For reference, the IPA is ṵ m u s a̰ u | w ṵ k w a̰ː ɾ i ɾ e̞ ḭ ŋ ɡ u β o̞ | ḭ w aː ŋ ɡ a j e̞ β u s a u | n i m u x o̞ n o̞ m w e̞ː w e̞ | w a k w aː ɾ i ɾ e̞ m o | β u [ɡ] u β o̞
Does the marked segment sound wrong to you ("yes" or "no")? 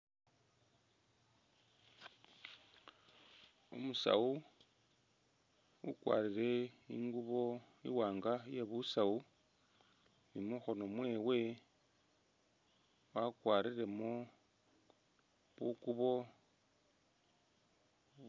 yes